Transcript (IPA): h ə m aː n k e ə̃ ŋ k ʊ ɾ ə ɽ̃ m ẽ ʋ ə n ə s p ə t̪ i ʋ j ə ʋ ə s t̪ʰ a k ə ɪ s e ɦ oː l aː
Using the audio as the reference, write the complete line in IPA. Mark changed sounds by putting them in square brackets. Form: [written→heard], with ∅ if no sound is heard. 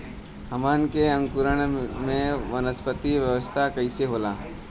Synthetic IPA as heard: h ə m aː n k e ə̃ ŋ k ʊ ɾ ə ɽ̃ m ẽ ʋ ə n ə s p ə t̪ i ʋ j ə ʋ ə s t̪ʰ a k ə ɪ s e ɦ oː l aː